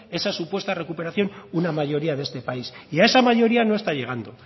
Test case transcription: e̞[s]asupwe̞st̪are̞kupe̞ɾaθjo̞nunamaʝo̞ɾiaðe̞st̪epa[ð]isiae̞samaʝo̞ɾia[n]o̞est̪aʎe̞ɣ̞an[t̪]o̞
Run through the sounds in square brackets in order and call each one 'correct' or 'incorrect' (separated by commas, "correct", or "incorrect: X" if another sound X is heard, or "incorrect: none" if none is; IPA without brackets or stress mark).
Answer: correct, incorrect: none, correct, incorrect: d̪